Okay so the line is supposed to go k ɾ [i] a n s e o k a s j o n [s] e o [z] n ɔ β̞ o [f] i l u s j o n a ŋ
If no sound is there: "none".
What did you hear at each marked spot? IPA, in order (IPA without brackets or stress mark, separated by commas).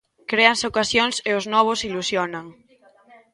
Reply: e, s, z, s